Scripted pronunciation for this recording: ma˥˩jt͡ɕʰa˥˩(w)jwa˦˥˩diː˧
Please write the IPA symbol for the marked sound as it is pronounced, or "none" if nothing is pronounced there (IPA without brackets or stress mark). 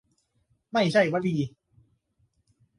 none